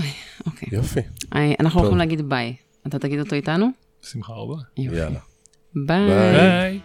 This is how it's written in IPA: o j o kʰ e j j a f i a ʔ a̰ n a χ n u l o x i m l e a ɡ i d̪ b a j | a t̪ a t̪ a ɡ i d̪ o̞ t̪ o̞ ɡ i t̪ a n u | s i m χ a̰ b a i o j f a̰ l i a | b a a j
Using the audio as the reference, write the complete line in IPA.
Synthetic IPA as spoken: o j o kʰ e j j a f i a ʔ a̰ n a χ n u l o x i m l e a ɡ i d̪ b a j | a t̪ a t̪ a ɡ i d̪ o̞ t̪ o̞ i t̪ a n u | s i m χ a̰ b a j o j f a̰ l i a | b a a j